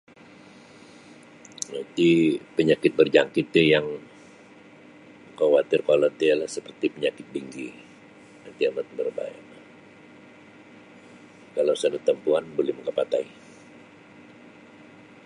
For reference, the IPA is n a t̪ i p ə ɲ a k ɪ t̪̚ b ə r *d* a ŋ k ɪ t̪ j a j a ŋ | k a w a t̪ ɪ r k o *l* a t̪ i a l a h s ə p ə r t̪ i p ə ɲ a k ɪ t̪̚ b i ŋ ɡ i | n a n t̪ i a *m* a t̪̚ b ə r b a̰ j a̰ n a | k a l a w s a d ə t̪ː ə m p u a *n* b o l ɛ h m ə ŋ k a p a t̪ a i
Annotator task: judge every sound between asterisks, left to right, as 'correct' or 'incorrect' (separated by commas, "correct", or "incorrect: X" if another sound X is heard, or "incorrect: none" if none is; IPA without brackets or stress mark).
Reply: incorrect: d͡ʒ, correct, correct, correct